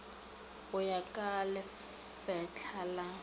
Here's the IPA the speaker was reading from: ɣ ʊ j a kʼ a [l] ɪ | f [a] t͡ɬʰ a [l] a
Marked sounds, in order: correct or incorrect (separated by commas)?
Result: correct, incorrect, correct